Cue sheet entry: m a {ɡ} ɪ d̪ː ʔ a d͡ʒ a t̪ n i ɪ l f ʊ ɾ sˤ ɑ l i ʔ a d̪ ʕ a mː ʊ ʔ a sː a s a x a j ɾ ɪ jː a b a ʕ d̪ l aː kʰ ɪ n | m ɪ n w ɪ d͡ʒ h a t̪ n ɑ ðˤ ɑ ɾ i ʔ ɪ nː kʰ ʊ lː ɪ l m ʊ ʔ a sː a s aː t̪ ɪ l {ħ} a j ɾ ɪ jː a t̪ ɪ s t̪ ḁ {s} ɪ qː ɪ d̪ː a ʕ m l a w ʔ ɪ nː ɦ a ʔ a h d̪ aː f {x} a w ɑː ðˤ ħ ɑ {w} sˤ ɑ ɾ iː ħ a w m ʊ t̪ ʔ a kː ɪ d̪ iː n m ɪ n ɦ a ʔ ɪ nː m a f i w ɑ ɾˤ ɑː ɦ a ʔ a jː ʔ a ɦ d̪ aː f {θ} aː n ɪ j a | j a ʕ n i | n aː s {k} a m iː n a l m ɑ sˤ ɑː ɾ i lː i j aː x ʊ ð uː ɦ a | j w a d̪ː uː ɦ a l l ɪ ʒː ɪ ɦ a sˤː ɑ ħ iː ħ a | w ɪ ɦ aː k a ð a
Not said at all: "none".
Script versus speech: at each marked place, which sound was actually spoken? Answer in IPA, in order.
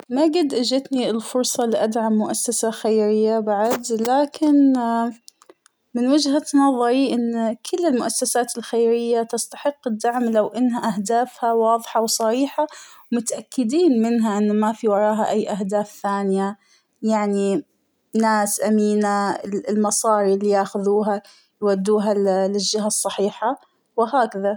ɡ, x, ħ, h, w, θ, ʔ

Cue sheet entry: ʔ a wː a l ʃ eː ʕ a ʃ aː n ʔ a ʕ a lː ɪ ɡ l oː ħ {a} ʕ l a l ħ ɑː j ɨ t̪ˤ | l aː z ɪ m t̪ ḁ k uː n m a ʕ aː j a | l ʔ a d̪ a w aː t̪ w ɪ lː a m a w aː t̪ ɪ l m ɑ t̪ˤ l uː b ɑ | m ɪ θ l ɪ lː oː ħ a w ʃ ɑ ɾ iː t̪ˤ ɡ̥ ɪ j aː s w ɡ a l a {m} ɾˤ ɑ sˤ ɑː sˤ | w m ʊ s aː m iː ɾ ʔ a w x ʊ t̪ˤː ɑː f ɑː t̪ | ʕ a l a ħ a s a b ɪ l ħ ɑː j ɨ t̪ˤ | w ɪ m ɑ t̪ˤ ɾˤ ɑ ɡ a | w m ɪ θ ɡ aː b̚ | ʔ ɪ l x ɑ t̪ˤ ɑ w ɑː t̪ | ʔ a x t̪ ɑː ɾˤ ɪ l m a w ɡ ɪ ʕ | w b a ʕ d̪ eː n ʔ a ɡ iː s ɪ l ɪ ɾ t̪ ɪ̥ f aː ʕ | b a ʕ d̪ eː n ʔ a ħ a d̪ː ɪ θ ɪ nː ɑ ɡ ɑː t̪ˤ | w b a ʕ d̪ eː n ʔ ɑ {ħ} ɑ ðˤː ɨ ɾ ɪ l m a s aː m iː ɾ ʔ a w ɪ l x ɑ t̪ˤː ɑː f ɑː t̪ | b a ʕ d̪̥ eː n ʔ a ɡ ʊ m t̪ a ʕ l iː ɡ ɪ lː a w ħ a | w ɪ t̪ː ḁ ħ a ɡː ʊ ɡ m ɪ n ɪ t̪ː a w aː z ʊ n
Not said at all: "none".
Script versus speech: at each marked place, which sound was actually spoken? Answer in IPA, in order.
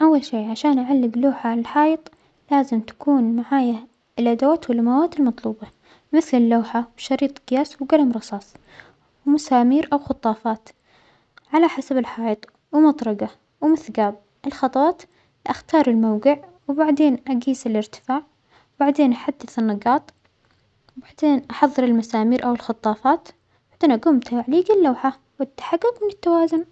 a, m, ħ

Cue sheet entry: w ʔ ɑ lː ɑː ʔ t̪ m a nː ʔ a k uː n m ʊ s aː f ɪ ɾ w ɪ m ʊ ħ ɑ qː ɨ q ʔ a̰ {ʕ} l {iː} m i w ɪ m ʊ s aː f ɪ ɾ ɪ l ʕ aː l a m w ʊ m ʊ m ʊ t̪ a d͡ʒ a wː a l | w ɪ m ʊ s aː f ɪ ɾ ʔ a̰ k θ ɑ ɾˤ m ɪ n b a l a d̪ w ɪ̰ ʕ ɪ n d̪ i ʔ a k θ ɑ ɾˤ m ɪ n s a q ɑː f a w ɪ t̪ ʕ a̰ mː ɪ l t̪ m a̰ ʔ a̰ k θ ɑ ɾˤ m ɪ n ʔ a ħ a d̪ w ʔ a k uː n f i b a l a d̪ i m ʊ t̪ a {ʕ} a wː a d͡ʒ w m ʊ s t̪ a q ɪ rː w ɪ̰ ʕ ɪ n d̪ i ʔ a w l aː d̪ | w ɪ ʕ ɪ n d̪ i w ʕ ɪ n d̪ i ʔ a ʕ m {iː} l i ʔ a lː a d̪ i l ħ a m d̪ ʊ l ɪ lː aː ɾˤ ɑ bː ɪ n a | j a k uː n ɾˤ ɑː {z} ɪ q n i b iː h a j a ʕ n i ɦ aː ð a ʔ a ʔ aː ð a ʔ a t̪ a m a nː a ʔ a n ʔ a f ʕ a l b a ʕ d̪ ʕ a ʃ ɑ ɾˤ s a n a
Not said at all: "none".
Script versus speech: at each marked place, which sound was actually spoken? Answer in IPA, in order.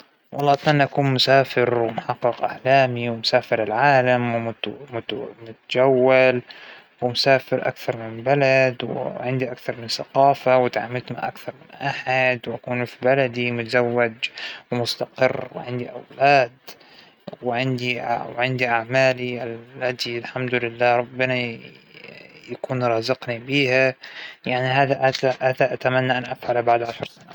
ʕ, aː, z, aː, z

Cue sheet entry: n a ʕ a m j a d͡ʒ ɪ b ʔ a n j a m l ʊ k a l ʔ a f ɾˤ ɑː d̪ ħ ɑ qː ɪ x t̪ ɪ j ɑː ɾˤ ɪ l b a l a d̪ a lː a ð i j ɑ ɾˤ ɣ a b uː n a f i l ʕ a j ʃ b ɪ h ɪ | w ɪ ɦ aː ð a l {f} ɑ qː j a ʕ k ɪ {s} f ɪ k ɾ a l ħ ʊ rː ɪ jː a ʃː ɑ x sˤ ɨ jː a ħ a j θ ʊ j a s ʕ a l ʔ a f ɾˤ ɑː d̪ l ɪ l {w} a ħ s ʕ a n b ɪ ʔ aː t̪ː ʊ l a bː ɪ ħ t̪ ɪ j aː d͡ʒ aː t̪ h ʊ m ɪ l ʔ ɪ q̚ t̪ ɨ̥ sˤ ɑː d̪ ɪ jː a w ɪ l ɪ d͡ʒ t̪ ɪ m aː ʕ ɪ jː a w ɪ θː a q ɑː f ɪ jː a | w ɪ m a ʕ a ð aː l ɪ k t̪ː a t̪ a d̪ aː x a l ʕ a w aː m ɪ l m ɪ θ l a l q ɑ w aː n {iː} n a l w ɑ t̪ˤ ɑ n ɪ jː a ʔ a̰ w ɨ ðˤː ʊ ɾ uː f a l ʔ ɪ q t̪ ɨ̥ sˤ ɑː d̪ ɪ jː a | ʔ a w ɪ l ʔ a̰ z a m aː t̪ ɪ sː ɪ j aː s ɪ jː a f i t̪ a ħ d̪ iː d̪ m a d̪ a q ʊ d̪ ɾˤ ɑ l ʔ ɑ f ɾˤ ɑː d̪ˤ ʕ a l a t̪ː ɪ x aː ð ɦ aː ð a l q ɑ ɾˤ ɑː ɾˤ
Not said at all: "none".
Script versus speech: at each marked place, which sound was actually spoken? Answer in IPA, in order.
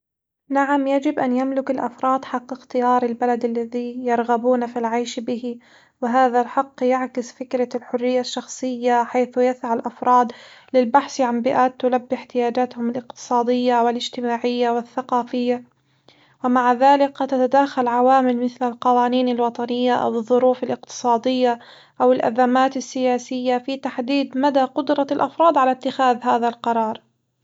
ħ, s, b, iː

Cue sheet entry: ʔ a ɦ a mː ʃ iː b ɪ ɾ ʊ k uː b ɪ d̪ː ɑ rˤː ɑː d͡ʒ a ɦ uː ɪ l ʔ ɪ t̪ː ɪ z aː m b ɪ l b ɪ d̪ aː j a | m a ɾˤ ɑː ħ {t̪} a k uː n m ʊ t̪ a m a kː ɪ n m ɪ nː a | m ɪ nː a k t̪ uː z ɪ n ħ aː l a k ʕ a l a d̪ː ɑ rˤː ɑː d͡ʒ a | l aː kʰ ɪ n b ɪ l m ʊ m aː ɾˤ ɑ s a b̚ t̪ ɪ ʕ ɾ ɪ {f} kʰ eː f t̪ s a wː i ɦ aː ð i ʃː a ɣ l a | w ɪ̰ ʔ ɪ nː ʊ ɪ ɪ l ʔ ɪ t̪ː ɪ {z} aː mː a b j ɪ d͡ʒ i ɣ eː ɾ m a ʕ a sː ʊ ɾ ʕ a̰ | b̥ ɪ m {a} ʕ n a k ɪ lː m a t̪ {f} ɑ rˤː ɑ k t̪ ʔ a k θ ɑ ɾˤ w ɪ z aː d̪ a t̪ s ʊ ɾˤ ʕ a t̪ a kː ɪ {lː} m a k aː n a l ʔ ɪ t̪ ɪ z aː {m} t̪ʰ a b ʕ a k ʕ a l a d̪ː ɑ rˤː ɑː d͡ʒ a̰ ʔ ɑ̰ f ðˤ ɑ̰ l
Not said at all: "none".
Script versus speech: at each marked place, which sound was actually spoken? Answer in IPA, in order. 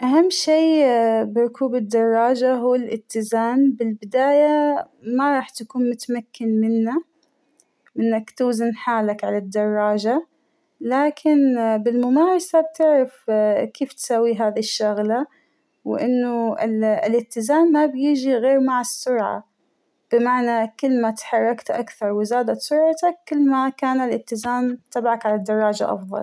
t̪, f, z, a, ħ, lː, m

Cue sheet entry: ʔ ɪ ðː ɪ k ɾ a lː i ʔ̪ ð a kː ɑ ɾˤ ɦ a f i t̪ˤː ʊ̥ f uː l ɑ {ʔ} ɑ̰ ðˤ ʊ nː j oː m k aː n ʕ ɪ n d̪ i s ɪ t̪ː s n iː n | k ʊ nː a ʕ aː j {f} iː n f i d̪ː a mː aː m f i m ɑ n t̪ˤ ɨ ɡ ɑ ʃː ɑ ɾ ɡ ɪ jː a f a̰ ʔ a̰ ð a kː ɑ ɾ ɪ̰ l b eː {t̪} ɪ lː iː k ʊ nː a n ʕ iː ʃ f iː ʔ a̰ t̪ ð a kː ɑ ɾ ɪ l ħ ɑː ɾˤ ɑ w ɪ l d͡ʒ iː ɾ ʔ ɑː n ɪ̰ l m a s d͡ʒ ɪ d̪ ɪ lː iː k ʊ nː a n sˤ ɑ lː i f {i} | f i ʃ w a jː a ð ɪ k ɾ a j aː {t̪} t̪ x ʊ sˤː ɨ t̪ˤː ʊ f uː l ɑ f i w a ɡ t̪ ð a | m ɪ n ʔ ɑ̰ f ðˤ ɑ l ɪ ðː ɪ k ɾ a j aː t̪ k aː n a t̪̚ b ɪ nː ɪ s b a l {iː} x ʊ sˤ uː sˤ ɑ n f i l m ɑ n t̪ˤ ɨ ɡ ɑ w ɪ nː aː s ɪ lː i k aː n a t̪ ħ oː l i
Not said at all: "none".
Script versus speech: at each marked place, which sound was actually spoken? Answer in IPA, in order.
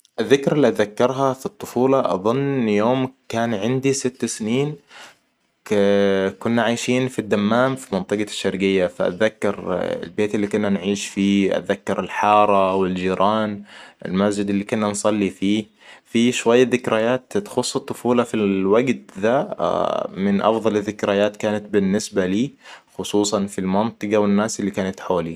ʔ, ʃ, t̪, iː, t̪, iː

